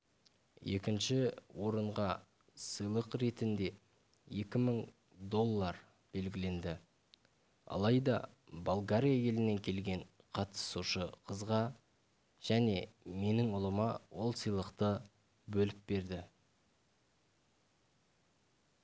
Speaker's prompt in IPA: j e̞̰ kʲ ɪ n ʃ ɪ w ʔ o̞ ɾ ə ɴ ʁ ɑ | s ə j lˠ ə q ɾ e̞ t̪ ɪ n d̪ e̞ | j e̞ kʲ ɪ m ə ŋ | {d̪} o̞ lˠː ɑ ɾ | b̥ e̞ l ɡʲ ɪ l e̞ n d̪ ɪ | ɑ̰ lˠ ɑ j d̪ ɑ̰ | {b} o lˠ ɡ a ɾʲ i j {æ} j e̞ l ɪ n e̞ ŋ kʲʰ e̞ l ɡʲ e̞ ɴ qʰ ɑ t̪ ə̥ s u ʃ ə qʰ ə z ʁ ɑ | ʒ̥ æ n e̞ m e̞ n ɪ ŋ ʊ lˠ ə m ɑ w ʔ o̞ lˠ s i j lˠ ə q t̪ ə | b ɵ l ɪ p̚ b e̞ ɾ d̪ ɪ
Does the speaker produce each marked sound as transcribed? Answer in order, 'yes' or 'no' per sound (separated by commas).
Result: yes, yes, no